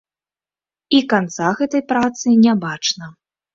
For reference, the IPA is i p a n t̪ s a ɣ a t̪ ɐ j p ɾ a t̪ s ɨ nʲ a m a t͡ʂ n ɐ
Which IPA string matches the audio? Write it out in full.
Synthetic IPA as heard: i k a n t̪ s a ɣ ɛ t̪ ɐ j p ɾ a t̪ s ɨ nʲ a b a t͡ʂ n ɐ